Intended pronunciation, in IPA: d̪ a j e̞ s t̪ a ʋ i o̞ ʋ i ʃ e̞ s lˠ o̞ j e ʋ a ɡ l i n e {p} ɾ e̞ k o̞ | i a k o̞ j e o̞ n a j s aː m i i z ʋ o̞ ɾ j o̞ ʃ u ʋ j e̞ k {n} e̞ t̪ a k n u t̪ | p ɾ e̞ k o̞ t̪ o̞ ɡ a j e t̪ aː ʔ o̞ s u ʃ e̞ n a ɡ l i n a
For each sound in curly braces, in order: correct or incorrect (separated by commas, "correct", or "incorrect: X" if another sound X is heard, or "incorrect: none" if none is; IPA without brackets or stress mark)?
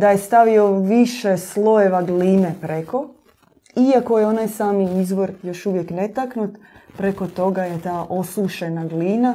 correct, correct